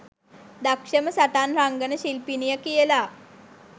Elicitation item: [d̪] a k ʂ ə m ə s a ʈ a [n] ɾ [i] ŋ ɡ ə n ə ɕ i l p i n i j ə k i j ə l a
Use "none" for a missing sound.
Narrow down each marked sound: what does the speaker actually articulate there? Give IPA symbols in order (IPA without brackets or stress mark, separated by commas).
d̪, n, a